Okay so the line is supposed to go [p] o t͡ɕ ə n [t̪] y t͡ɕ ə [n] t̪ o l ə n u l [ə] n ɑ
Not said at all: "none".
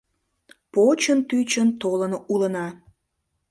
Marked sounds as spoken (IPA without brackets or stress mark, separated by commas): p, t̪, n, ə